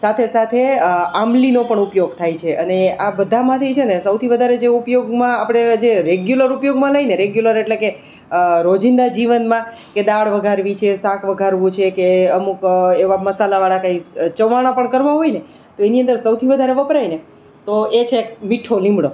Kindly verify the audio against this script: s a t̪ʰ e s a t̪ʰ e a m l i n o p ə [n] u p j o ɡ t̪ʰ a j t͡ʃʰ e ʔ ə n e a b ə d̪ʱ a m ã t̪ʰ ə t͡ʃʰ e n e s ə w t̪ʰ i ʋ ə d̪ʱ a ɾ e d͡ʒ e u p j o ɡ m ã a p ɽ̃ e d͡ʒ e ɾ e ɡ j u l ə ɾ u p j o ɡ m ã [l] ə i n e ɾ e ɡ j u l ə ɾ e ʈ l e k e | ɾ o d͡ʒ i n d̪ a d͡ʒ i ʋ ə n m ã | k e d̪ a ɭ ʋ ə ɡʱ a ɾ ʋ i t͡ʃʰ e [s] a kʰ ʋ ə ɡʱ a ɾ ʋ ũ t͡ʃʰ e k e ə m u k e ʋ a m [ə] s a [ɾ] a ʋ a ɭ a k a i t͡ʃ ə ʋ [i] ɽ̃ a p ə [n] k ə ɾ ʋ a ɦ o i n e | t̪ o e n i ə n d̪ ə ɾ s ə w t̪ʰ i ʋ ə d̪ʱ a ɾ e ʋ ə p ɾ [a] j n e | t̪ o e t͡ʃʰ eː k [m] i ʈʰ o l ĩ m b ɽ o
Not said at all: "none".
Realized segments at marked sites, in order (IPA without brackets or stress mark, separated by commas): ɳ, l, s, ə, l, a, ɳ, a, m